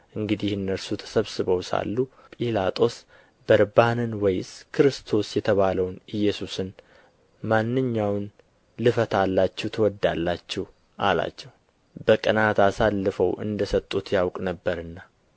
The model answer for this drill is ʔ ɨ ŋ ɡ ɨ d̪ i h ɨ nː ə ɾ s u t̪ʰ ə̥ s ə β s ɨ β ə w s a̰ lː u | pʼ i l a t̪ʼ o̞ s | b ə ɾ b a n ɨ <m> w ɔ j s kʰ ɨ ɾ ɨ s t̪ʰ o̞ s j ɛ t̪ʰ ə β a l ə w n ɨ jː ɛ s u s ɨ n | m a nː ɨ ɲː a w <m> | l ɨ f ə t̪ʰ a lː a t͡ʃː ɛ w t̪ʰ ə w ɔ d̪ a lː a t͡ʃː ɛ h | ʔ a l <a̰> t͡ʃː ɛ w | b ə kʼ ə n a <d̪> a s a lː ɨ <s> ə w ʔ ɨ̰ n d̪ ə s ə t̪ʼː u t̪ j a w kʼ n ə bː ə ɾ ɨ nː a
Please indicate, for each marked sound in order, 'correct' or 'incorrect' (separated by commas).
incorrect, incorrect, correct, incorrect, incorrect